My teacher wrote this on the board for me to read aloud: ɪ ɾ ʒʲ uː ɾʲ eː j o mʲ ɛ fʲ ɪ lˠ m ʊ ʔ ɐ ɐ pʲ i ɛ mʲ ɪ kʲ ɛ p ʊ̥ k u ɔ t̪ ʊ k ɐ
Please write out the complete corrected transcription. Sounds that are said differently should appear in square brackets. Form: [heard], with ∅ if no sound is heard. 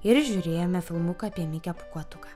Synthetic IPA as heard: ɪ ɾ ʒʲ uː ɾʲ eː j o mʲ ɛ fʲ ɪ lˠ m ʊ [k] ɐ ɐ pʲ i ɛ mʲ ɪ kʲ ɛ p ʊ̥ k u ɔ t̪ ʊ k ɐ